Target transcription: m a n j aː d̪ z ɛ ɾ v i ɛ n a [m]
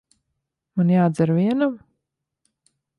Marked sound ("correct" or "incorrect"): correct